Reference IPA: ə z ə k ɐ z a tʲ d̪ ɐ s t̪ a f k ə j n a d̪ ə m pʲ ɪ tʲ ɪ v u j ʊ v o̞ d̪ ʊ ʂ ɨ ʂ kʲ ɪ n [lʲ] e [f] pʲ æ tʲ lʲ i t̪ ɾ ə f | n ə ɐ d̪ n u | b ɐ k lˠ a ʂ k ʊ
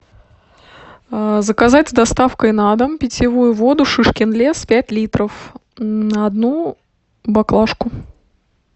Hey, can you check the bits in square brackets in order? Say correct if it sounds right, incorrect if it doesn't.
correct, incorrect

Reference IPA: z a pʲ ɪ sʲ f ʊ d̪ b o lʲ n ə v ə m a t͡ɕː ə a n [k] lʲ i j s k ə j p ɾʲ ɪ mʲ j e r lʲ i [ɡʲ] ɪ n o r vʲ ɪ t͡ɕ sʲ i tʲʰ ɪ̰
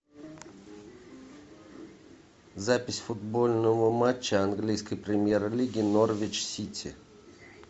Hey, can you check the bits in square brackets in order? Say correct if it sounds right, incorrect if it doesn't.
incorrect, correct

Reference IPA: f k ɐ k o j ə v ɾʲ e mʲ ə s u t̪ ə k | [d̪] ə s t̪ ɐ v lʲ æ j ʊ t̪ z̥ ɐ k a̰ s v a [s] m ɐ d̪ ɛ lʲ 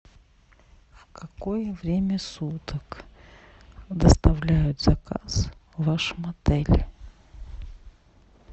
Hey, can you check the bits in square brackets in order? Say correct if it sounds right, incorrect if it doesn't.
correct, incorrect

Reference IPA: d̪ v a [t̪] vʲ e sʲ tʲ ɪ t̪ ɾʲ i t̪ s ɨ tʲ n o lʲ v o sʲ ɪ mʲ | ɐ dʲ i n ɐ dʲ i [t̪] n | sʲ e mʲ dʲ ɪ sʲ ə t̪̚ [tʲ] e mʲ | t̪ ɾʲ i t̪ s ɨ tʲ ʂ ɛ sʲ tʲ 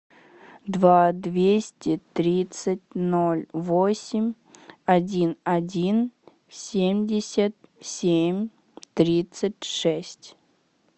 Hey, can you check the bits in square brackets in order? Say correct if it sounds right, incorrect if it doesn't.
incorrect, incorrect, incorrect

